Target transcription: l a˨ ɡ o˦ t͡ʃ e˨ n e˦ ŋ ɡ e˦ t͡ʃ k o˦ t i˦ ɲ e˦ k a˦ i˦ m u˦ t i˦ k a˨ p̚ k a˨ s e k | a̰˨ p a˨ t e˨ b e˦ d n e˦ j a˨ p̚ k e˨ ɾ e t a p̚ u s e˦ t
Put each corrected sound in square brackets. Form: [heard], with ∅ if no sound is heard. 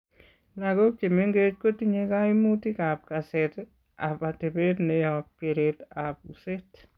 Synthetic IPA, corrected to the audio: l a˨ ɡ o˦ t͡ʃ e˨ [m] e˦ ŋ ɡ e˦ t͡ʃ k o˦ t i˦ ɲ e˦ k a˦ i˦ m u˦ t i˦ k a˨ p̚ k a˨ s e [t] | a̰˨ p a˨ t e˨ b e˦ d n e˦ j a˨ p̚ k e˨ ɾ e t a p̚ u s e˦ t